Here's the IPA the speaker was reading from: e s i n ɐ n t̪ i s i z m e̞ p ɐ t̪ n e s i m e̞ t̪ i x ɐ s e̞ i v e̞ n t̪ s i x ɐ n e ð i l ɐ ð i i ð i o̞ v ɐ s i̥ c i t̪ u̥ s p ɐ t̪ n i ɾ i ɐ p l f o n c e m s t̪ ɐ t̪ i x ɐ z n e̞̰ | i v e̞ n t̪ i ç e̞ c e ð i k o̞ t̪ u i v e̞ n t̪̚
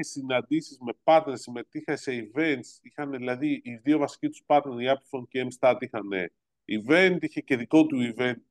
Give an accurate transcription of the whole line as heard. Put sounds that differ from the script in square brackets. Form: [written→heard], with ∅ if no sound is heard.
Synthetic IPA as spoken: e s i n ɐ n [t̪→d̪] i s i z m e̞ p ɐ t̪ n e s i m e̞ t̪ i x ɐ s e̞ i v e̞ n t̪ s i x ɐ n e ð i l ɐ ð i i ð i o̞ v ɐ s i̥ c i t̪ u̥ s p ɐ t̪ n [i→e] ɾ i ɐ p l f o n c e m s t̪ ɐ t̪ i x ɐ [z→∅] n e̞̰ | i v e̞ n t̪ i ç e̞ c e ð i k o̞ t̪ u i v e̞ n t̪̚